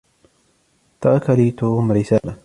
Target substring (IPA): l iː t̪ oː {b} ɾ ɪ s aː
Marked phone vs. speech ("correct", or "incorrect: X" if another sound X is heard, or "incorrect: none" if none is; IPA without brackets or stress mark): incorrect: m